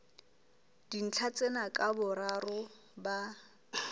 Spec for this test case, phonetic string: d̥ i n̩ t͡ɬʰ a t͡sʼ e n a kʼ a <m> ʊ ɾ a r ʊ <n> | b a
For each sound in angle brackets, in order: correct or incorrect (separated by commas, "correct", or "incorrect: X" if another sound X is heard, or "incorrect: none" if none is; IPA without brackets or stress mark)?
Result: incorrect: b, incorrect: none